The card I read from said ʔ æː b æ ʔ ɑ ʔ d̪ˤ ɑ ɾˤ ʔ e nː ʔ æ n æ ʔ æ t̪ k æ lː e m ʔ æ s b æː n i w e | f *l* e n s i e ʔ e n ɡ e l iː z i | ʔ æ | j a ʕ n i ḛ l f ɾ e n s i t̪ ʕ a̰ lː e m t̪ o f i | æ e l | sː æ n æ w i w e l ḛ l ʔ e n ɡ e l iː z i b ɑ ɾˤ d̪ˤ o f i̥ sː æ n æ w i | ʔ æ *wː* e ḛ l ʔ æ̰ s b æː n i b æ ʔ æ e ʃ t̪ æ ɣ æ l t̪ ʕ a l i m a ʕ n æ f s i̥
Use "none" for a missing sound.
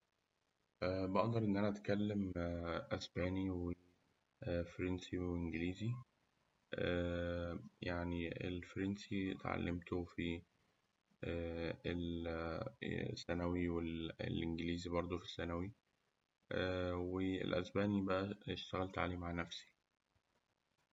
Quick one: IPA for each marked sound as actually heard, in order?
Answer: ɾ, w

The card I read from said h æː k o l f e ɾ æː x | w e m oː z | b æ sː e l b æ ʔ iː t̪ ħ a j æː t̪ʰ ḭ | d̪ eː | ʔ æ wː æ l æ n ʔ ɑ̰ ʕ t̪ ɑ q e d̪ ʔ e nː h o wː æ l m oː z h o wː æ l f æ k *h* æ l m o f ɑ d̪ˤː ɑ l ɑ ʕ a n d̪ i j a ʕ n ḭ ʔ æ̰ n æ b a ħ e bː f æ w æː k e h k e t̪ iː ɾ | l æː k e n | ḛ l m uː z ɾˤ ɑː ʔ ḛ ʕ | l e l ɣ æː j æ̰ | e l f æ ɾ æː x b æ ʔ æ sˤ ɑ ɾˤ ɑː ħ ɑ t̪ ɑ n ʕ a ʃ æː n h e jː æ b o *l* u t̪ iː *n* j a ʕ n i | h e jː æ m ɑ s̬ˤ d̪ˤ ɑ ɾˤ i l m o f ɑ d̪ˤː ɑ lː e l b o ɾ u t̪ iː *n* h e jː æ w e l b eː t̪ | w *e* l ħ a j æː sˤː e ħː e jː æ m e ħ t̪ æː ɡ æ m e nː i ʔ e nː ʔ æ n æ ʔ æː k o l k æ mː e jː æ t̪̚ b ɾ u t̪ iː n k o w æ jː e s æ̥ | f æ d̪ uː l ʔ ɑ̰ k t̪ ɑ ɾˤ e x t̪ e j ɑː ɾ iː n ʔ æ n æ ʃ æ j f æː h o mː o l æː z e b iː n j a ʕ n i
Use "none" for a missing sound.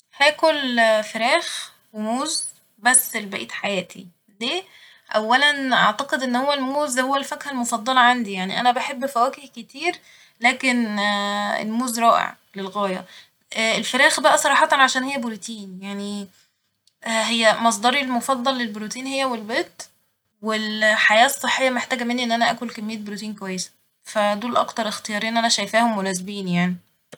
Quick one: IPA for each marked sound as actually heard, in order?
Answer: h, ɾ, n, n, e

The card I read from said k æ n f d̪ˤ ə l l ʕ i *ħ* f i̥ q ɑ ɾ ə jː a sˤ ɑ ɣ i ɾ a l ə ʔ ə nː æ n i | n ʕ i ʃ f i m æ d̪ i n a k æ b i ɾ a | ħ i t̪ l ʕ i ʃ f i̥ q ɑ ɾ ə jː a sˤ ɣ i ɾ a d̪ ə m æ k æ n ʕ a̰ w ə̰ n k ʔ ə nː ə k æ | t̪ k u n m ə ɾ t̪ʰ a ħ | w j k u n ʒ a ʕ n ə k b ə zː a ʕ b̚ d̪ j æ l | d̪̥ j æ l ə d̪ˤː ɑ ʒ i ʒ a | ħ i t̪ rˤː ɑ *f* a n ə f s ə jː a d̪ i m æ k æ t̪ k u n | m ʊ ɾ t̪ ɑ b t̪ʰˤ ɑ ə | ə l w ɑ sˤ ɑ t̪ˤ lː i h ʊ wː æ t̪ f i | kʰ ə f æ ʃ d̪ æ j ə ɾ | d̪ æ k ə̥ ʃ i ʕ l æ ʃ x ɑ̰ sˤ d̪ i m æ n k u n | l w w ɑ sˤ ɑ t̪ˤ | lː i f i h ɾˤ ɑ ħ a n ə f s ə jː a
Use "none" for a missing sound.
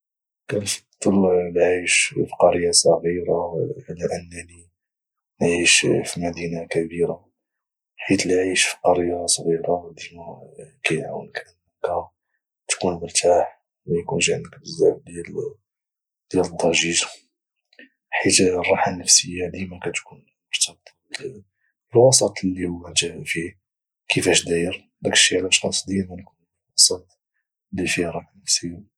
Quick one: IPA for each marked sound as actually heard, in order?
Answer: ʃ, ħ

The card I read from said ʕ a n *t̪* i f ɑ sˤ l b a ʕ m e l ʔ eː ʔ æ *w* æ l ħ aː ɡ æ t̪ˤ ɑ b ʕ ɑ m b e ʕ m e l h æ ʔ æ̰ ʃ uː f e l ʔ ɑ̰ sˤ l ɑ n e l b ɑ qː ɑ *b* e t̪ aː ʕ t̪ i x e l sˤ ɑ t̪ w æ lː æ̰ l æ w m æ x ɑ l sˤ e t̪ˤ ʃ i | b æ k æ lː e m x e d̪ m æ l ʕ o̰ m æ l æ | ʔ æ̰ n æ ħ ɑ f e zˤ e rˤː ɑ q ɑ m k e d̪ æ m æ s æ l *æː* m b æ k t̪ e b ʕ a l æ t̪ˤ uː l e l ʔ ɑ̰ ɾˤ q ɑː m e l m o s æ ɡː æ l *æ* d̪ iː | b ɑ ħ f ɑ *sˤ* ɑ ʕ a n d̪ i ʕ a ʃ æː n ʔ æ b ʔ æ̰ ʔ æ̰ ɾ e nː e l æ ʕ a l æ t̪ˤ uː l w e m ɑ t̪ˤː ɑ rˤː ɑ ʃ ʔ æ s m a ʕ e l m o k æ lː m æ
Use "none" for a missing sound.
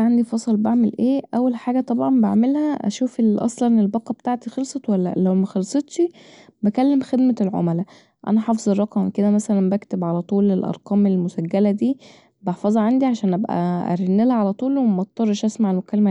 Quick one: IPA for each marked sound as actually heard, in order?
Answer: d̪, wː, b, æ, æ, zˤ

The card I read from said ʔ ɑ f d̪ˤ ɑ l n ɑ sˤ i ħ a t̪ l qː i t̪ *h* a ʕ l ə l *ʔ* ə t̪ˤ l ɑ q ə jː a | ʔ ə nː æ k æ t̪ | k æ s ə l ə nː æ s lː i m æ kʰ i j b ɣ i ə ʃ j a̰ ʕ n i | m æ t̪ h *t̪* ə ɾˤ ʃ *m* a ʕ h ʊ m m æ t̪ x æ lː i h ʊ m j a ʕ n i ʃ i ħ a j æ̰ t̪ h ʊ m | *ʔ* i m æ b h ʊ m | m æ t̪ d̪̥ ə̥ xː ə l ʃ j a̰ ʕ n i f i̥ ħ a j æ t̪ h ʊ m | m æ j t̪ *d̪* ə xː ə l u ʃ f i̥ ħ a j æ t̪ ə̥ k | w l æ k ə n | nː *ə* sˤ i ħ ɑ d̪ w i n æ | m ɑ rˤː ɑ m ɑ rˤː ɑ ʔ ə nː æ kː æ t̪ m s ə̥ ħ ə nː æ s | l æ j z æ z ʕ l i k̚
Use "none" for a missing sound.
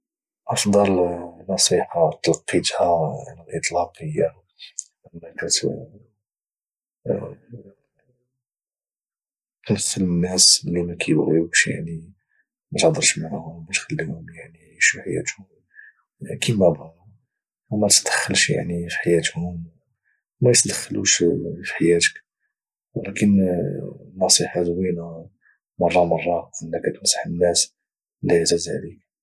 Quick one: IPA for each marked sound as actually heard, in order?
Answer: h, ʔ, d̪, m, k, d̪, ɑ

